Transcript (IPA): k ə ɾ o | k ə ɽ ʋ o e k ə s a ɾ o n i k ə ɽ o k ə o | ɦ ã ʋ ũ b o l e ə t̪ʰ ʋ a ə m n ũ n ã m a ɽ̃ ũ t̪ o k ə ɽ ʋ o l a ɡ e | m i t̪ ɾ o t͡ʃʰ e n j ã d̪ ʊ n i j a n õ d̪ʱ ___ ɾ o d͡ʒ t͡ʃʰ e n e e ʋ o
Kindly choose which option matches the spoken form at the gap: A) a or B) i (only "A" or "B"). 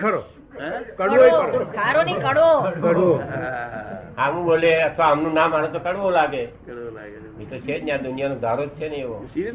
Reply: A